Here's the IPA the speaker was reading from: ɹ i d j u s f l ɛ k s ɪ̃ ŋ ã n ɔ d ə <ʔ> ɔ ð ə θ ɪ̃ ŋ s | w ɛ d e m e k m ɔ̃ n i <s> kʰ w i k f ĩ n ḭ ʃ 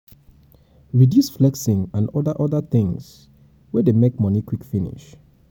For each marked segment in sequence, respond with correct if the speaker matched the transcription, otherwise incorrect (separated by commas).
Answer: correct, incorrect